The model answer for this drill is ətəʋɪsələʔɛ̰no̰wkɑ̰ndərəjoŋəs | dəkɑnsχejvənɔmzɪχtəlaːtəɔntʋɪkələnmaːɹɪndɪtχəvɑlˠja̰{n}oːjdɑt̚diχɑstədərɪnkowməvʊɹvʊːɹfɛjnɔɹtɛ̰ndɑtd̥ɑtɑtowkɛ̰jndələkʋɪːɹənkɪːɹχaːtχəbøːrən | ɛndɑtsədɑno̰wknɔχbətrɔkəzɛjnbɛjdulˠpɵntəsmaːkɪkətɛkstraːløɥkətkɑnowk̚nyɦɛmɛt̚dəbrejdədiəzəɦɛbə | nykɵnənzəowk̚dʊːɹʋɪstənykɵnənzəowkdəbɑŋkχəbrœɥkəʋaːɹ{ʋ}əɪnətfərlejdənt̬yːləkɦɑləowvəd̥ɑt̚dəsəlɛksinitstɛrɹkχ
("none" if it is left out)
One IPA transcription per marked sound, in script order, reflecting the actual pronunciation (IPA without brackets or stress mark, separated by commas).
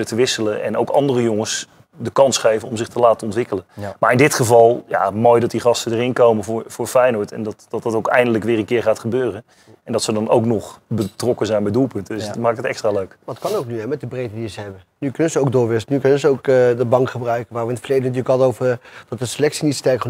m, ʋ